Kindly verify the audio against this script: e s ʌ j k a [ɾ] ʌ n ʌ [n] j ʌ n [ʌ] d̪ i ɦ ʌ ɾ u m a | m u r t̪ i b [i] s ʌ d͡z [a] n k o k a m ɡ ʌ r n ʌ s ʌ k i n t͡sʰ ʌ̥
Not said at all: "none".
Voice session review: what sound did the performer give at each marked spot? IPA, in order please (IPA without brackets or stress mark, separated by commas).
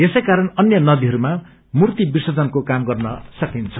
ɾ, n, ʌ, i, ʌ